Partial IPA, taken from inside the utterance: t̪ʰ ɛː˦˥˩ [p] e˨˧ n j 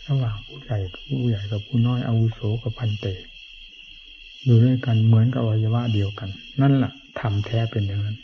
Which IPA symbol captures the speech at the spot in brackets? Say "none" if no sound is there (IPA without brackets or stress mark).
p